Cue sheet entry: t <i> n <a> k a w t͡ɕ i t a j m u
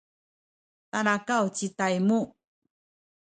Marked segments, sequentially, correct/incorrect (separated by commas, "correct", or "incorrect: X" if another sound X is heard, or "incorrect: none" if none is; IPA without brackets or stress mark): incorrect: a, correct